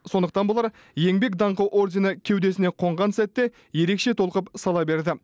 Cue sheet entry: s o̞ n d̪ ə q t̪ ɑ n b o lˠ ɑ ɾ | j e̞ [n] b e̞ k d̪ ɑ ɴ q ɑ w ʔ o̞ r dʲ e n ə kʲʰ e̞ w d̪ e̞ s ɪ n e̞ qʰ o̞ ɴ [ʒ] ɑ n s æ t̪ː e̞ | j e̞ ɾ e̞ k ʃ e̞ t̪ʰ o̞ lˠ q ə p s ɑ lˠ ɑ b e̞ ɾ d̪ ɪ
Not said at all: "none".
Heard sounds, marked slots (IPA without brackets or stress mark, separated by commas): ŋ, ʁ